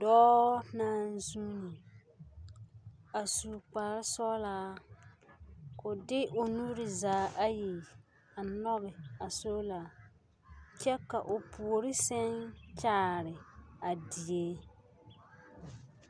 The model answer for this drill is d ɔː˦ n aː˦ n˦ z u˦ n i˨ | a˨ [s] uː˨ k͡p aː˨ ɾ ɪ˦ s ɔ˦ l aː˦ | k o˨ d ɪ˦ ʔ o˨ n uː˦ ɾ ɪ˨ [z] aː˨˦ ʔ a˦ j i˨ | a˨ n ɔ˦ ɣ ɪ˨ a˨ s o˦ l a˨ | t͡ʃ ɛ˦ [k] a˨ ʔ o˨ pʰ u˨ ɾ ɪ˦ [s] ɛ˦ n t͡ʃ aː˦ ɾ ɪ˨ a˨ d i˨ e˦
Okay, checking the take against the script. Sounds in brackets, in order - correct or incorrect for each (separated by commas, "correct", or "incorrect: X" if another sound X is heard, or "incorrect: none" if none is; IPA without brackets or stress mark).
correct, correct, correct, correct